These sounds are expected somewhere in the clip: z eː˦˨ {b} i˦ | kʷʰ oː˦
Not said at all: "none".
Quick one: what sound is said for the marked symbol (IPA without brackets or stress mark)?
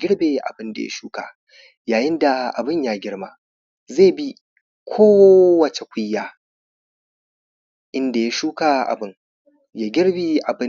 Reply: b